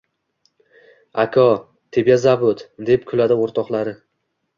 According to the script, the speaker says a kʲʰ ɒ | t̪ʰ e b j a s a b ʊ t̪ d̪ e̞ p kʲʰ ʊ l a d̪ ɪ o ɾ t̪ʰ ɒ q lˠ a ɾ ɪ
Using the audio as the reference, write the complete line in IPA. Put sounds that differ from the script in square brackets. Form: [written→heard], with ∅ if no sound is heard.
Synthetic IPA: a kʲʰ ɒ | t̪ʰ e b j a [s→z] a b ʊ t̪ d̪ e̞ p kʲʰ ʊ l a d̪ ɪ o ɾ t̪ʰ ɒ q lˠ a ɾ ɪ